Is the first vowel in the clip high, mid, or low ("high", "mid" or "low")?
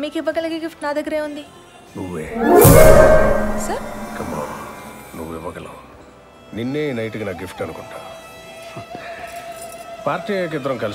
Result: high